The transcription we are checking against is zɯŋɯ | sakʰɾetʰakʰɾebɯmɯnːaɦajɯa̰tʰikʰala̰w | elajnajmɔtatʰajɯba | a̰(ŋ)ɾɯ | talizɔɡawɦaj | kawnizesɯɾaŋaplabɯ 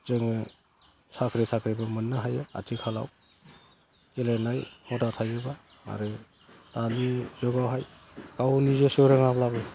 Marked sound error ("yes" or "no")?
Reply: yes